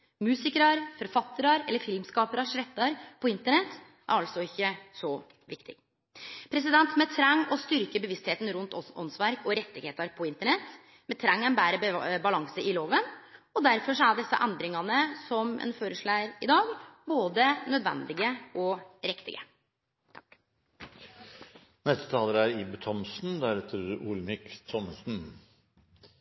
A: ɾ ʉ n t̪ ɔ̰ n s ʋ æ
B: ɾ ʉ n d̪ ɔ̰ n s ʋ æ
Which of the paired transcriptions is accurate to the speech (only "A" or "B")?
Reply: A